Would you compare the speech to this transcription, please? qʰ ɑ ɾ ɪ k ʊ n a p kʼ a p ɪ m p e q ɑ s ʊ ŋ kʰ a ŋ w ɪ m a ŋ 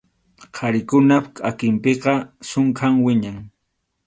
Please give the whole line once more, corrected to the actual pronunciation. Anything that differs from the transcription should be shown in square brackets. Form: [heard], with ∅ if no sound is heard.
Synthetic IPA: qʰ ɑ ɾ ɪ k ʊ n a p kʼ a [k] ɪ m p e q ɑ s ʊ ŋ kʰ a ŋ w ɪ [ɲ] a ŋ

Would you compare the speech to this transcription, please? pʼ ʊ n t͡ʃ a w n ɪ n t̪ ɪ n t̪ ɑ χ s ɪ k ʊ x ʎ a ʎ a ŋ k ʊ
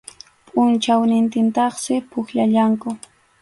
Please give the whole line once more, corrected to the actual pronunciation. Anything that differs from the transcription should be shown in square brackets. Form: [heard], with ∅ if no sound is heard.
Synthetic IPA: pʼ ʊ n t͡ʃ a w n ɪ n t̪ ɪ n t̪ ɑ χ s ɪ [p] ʊ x ʎ a ʎ a ŋ k ʊ

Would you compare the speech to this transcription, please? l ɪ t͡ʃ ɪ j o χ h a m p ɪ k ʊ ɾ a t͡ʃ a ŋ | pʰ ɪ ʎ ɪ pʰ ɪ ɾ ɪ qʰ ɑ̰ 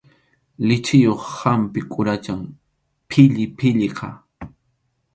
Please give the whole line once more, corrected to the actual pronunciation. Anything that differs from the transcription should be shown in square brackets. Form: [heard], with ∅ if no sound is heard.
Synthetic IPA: l ɪ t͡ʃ ɪ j o χ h a m p ɪ [kʼ] ʊ ɾ a t͡ʃ a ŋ | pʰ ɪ ʎ ɪ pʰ ɪ [ʎ] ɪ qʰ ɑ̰

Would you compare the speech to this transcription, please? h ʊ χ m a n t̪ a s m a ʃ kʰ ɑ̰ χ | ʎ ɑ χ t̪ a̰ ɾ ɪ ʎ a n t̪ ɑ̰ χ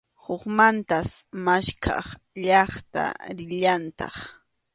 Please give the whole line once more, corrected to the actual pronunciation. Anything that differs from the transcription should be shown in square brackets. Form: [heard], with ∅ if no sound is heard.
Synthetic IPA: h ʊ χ m a n t̪ a s m a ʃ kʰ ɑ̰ χ | ʎ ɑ χ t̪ a̰ ɾ ɪ ʎ a n t̪ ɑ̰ χ

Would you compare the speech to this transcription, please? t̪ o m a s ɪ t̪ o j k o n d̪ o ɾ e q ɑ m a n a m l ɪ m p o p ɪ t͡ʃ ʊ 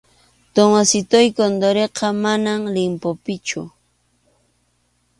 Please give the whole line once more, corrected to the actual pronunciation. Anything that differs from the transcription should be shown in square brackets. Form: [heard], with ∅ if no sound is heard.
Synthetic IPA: t̪ o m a s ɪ t̪ o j k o n d̪ o ɾ e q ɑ m a n a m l ɪ m p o p ɪ t͡ʃ ʊ

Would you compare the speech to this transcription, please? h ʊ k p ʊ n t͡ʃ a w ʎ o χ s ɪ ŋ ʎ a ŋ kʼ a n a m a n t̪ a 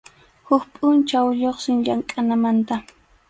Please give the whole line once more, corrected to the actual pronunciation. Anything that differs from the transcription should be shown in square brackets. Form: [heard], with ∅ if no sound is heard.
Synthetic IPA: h ʊ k [pʼ] ʊ n t͡ʃ a w ʎ o χ s ɪ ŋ ʎ a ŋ kʼ a n a m a n t̪ a

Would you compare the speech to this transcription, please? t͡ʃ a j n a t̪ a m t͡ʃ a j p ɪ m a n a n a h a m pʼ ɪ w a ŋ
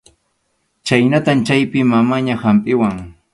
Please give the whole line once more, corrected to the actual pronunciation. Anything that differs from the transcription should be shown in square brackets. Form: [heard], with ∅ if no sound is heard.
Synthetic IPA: t͡ʃ a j n a t̪ a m t͡ʃ a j p ɪ m a [m] a [ɲ] a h a m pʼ ɪ w a ŋ

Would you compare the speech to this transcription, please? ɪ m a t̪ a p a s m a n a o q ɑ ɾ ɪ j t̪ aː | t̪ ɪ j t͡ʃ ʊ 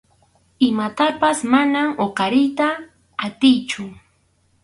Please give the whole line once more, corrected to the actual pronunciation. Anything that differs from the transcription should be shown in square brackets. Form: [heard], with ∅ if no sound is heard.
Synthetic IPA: ɪ m a t̪ a p a s m a n a o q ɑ ɾ ɪ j t̪ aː | t̪ ɪ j t͡ʃ ʊ

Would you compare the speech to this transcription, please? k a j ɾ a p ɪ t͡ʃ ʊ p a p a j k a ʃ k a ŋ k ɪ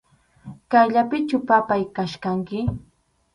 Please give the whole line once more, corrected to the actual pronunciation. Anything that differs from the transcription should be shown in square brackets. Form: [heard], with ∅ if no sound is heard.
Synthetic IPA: k a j [ʎ] a p ɪ t͡ʃ ʊ p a p a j k a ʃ k a ŋ k ɪ

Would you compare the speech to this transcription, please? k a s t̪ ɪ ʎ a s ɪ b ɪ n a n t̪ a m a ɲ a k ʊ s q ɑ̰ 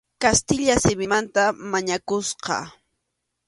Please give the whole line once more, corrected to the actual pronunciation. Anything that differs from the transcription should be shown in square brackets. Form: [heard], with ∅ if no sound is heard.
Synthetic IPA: k a s t̪ ɪ ʎ a s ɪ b ɪ [m] a n t̪ a m a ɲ a k ʊ s q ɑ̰

